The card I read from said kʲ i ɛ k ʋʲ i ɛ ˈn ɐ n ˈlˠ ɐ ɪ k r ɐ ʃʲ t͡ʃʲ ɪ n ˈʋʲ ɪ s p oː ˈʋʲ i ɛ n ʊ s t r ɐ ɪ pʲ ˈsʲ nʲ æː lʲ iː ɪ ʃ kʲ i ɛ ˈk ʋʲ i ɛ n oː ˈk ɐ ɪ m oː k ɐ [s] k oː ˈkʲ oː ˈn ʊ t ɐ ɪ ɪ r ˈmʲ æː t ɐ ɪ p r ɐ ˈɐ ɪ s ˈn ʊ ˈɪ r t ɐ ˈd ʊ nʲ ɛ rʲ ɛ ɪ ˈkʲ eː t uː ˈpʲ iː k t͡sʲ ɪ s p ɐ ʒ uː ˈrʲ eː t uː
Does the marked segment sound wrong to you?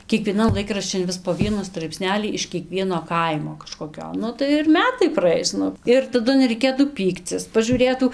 yes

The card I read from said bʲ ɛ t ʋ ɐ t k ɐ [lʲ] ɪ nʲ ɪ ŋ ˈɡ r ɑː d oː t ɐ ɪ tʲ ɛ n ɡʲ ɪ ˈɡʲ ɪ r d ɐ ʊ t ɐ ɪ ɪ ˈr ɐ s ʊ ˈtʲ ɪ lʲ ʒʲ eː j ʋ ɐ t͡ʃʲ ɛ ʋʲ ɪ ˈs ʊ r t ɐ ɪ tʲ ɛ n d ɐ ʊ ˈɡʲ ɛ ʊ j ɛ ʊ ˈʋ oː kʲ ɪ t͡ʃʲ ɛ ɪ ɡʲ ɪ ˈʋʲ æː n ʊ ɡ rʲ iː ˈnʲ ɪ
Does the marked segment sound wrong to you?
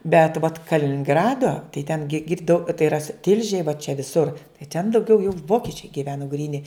no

